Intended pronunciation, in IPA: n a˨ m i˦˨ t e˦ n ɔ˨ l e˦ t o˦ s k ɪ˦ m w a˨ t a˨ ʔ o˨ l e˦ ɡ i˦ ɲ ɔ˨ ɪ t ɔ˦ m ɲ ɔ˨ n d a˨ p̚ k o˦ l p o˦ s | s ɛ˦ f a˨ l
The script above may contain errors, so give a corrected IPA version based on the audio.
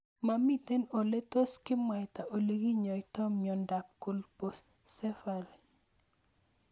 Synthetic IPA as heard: m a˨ m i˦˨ t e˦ n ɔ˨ l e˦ t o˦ s k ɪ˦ m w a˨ t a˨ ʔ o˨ l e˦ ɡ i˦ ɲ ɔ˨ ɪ t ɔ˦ m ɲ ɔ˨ n d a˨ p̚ k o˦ l p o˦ s | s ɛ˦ f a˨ l

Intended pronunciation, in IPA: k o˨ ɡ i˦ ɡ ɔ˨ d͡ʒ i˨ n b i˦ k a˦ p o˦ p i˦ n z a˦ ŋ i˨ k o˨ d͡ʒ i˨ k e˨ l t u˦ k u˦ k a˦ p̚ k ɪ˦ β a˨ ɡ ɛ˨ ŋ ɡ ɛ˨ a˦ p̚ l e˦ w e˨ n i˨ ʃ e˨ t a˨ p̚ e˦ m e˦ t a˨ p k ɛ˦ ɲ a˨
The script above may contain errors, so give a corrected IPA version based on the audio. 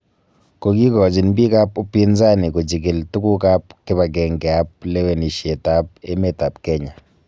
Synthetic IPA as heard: k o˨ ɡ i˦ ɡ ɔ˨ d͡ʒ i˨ n b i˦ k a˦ p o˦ p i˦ n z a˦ n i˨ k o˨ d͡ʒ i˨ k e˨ l t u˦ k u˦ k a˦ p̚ k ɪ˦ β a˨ ɡ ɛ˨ ŋ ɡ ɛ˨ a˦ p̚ l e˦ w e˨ n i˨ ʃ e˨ t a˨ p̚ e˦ m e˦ t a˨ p k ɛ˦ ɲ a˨

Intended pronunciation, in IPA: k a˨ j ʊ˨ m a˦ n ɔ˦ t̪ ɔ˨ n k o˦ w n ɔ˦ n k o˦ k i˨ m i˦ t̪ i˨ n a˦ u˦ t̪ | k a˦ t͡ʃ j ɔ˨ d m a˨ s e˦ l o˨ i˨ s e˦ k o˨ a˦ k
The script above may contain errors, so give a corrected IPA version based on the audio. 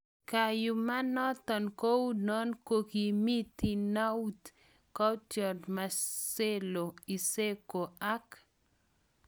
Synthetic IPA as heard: k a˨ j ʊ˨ m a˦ n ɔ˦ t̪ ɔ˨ n k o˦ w n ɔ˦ n k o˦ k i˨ m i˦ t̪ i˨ n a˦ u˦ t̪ | k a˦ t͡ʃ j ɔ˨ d m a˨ s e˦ l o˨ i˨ s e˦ k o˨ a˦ k

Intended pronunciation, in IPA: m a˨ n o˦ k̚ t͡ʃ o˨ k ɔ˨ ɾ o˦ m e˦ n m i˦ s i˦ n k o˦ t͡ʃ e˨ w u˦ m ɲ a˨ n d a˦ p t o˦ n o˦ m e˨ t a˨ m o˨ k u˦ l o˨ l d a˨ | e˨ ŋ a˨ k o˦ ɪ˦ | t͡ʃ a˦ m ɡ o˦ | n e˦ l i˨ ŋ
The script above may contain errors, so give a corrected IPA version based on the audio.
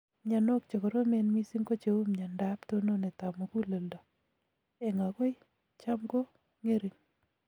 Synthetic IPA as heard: ɲ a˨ n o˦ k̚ t͡ʃ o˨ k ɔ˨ ɾ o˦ m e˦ n m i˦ s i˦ ŋ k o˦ t͡ʃ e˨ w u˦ m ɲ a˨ n d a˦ p t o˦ n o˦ n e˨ t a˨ m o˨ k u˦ l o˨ l d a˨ | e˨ ŋ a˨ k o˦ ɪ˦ | t͡ʃ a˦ m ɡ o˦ | ŋ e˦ ɾ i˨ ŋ

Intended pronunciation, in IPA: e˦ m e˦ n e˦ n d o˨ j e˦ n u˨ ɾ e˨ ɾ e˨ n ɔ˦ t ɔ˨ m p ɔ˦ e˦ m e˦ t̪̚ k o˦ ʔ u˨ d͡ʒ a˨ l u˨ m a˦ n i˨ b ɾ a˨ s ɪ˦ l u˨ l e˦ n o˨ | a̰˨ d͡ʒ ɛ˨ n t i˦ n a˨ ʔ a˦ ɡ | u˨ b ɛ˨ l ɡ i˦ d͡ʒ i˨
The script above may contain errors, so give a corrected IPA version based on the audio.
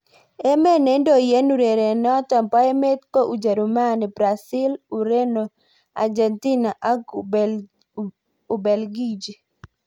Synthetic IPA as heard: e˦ m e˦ n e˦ n d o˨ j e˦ n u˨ ɾ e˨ ɾ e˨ n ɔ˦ t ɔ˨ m p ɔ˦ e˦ m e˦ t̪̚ k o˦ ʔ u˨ d͡ʒ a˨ ɾ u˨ m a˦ n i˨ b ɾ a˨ s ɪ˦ l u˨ ɾ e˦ n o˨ | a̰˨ d͡ʒ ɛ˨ n t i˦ n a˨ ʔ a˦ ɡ | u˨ b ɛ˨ l ɡ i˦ d͡ʒ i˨

